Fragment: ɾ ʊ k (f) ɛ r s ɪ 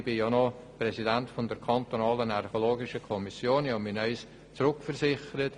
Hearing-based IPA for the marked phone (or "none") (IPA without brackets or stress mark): f